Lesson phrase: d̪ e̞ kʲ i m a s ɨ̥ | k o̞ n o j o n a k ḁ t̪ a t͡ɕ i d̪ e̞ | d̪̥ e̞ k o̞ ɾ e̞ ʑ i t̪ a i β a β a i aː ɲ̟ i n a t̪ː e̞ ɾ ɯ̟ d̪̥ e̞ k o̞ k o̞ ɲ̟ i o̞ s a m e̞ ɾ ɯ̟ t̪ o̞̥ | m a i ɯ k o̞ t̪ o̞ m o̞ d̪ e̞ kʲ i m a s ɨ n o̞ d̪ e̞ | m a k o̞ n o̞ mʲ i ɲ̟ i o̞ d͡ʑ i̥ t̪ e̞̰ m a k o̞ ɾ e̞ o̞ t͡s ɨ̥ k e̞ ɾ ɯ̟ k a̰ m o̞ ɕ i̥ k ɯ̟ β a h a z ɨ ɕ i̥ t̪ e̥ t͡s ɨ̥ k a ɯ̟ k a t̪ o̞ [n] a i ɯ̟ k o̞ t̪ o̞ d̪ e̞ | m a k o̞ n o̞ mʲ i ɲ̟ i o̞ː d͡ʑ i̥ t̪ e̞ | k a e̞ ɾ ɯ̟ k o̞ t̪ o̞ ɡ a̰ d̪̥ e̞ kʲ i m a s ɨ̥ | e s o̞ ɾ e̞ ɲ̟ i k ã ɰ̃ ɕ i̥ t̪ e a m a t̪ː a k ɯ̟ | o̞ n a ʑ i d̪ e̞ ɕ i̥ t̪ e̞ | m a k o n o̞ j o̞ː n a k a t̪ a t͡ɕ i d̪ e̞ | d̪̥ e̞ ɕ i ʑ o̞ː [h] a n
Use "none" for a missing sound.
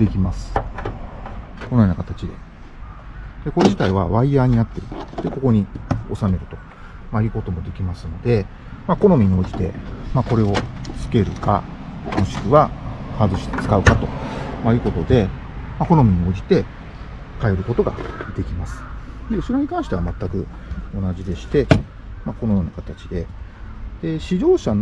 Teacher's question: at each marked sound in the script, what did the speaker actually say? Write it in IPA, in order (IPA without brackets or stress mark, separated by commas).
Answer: m, ɕ